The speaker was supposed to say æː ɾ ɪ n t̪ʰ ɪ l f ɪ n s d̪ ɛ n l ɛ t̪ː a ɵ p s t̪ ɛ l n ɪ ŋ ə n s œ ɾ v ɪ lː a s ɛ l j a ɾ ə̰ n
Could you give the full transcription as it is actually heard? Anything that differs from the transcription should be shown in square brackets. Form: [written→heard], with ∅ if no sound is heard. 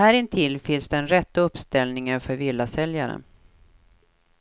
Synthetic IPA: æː ɾ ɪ n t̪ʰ ɪ l f ɪ n s d̪ ɛ n [l→ɾ] ɛ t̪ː a ɵ p s t̪ ɛ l n ɪ ŋ ə n [s→f] œ ɾ v ɪ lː a s ɛ l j a ɾ ə̰ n